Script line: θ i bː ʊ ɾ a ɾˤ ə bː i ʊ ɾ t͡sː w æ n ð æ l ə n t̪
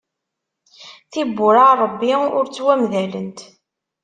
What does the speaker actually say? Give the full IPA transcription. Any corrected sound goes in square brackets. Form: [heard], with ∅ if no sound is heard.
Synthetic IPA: θ i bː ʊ ɾ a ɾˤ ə bː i ʊ ɾ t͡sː w æ [m] ð æ l ə n t̪